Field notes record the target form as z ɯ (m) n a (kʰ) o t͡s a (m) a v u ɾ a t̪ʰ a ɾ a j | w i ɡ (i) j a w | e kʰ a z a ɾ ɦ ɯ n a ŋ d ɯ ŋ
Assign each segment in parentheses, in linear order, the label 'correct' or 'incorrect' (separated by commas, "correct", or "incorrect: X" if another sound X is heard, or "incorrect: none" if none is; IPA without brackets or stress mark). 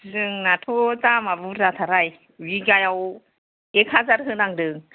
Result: incorrect: ŋ, incorrect: tʰ, correct, incorrect: a